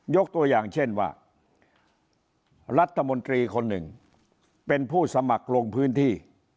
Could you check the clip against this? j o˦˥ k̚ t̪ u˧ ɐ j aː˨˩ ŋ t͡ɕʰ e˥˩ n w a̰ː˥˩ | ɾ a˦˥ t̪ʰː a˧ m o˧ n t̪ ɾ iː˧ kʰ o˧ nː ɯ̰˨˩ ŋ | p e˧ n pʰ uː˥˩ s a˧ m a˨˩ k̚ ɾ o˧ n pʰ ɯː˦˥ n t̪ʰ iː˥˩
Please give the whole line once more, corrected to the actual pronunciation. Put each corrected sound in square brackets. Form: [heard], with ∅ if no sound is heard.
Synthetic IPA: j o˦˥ k̚ t̪ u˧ ɐ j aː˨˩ ŋ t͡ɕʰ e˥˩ n w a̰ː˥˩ | ɾ a˦˥ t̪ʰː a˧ m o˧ n t̪ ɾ iː˧ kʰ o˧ nː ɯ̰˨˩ ŋ | p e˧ n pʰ uː˥˩ s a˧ m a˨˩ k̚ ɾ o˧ [ŋ] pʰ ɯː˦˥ n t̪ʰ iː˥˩